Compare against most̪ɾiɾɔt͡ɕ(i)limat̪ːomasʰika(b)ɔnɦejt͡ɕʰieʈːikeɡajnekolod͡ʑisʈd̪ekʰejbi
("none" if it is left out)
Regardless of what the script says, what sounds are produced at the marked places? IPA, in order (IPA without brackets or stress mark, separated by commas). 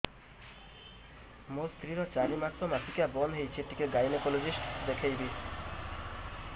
a, b